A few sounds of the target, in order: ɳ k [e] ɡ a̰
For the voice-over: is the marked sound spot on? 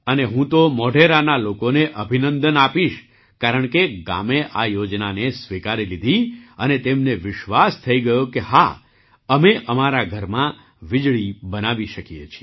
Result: yes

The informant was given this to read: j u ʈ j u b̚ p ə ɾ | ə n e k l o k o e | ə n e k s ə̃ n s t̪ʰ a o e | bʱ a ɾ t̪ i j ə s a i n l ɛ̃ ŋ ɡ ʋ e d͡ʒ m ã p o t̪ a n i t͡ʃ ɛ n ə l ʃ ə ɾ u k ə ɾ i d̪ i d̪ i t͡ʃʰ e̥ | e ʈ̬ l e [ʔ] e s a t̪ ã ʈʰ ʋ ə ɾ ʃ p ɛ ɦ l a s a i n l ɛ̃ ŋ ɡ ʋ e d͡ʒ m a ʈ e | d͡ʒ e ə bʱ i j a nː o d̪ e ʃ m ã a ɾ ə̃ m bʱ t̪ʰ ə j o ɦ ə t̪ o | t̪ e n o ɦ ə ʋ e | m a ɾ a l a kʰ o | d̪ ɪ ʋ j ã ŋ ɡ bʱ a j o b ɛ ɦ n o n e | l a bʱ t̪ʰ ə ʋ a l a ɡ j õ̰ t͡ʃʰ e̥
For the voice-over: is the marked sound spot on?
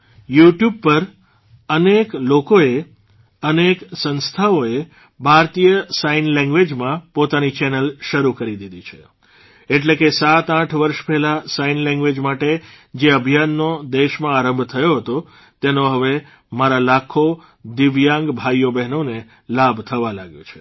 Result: no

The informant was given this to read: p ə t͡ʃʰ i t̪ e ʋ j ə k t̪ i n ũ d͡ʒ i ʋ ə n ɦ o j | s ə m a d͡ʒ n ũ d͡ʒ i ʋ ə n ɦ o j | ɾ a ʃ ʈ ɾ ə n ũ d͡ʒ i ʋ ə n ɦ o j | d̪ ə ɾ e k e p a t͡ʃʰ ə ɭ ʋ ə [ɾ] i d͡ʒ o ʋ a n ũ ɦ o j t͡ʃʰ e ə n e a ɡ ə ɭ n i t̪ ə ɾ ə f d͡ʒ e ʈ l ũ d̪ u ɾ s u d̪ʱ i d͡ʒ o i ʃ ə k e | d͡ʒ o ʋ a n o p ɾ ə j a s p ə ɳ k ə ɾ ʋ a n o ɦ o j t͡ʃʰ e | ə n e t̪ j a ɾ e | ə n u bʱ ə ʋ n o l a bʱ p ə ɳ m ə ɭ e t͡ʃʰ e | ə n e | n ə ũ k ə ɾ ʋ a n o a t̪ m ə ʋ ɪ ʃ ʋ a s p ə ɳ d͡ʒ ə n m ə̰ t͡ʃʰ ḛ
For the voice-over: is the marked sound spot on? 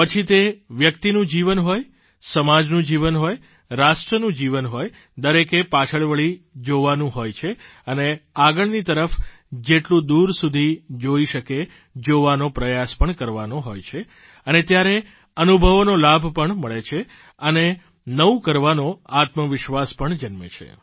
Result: no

